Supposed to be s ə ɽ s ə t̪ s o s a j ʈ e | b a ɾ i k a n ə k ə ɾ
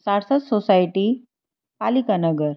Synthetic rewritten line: s a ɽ s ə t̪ s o s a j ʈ i | p a l i k a n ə ɡ ə ɾ